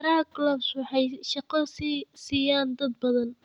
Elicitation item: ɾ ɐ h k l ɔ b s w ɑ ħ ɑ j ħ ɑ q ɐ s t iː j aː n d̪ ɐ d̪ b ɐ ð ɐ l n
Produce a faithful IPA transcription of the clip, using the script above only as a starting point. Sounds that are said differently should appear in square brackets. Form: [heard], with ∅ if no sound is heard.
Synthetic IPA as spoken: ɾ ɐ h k l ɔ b s w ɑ ħ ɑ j [ʃ] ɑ q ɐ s [s] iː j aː n d̪ ɐ d̪ b ɐ ð ɐ [∅] n